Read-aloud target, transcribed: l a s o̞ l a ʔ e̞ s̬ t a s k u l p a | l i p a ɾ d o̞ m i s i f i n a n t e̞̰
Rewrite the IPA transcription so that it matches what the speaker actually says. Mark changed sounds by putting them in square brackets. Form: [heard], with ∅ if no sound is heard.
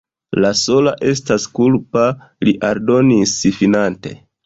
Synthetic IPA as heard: l a s o̞ l a ʔ e̞ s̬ t a s k u l p a | l i [ʔ] a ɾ d o̞ [n] i s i f i n a n t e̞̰